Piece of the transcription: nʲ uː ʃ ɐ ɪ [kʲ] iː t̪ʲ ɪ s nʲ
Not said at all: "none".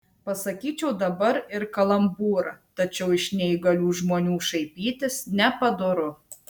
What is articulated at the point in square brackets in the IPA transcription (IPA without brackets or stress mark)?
pʲ